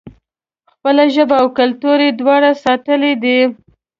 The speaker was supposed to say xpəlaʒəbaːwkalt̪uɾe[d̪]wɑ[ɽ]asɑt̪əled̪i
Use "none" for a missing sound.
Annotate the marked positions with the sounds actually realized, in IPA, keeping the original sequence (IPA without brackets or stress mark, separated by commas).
d̪, ɽ